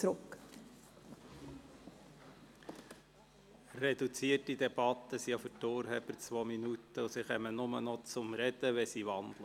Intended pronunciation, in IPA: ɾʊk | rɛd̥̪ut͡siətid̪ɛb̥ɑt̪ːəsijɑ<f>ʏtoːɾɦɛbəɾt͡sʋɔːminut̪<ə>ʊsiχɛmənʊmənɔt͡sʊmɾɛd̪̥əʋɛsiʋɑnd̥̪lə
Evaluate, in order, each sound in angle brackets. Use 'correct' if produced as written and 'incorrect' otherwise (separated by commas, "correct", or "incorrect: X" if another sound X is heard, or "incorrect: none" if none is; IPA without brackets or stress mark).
correct, correct